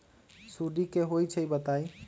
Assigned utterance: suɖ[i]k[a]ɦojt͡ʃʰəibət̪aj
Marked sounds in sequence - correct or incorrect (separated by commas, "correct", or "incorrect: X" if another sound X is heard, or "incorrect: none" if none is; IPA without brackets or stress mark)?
correct, incorrect: e